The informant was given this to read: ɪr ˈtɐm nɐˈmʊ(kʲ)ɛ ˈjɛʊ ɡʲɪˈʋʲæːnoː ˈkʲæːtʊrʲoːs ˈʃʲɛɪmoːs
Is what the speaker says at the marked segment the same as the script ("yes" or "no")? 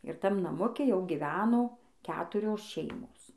yes